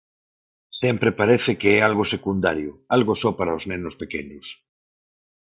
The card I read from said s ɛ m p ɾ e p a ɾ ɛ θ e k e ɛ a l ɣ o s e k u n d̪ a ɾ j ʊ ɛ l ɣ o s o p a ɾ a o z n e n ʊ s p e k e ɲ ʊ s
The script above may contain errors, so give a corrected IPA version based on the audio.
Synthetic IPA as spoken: s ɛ m p ɾ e p a ɾ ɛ θ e k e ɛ a l ɣ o s e k u n d̪ a ɾ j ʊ a l ɣ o s ɔ p a ɾ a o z n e n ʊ s p e k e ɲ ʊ s

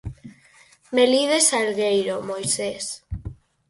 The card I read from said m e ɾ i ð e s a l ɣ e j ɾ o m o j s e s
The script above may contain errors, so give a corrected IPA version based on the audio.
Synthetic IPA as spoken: m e l i ð e s a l ɣ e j ɾ o m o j s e s

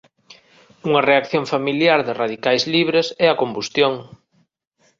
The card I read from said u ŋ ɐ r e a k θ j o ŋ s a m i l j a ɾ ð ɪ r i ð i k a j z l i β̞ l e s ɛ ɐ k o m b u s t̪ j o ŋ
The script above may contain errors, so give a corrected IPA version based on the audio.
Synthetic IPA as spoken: u ŋ ɐ r e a k θ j o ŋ f a m i l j a ɾ ð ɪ r a ð i k a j z l i β̞ ɾ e s ɛ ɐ k o m b u s t̪ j o ŋ

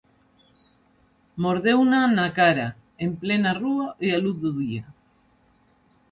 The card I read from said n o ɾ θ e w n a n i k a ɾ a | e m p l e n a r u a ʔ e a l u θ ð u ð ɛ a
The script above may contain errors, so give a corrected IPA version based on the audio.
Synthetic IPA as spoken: m o ɾ ð e w n a n a k a ɾ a | e m p l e n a r u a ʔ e a l u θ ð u ð i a

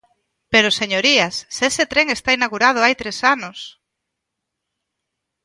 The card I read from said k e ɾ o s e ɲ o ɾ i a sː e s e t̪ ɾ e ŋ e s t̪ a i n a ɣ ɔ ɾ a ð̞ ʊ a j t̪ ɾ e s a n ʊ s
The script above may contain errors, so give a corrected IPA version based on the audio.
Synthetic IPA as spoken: p e ɾ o s e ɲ o ɾ i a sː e s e t̪ ɾ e ŋ e s t̪ a i n a ɣ u ɾ a ð̞ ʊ a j t̪ ɾ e s a n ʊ s

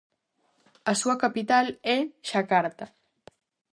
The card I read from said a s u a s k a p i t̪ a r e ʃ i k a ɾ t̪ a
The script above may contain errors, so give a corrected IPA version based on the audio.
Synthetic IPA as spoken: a s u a k a p i t̪ a l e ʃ a k a ɾ t̪ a

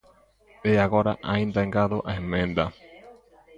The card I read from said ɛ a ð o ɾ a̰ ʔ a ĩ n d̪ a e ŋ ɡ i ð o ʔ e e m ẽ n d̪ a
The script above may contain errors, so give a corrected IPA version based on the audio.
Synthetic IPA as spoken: e a ɣ o ɾ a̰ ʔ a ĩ n d̪ a e ŋ ɡ a ð o ʔ a e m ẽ n d̪ a

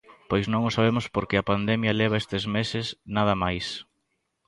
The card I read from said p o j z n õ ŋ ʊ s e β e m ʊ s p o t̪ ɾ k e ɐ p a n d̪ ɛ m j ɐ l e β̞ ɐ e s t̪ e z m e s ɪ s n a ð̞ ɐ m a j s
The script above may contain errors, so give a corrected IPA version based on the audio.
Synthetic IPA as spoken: p o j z n õ ŋ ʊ s a β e m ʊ s p o ɾ k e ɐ p a n d̪ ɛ m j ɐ l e β̞ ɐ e s t̪ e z m e s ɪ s n a ð̞ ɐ m a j s

